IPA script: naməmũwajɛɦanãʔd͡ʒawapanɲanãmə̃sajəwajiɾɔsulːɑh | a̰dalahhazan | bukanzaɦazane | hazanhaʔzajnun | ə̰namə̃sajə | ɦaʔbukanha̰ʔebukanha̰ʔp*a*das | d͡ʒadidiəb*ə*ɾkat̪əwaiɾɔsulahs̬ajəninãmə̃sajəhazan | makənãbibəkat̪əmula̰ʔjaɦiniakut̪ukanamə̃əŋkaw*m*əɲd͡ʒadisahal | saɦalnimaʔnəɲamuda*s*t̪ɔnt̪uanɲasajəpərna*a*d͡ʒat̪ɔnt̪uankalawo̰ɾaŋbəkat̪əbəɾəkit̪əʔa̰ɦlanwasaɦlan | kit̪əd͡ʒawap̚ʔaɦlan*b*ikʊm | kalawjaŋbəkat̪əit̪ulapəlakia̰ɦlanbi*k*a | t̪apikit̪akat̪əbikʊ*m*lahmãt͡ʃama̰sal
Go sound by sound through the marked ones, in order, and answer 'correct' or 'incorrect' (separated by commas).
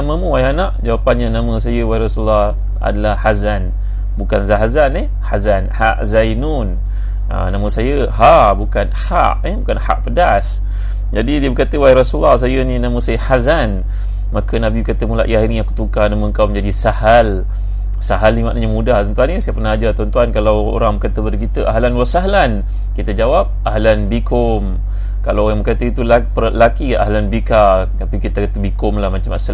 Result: incorrect, correct, correct, incorrect, correct, correct, correct, correct